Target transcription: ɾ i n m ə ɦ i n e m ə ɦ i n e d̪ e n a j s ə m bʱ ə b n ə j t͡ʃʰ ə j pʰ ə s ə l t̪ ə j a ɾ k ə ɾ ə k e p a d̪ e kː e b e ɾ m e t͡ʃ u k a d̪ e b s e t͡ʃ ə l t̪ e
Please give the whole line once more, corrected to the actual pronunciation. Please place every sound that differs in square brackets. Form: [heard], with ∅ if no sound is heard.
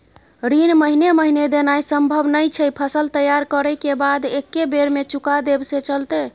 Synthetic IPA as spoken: ɾ i n m ə ɦ i n e m ə ɦ i n e d̪ e n a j s ə m bʱ ə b n ə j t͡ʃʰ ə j pʰ ə s ə l t̪ ə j a ɾ k ə ɾ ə k e [b] a d̪ e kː e b e ɾ m e t͡ʃ u k a d̪ e b s e t͡ʃ ə l t̪ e